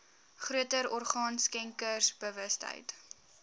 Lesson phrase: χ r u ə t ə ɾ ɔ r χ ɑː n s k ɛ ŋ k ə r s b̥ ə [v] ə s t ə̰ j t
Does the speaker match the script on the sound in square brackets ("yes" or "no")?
yes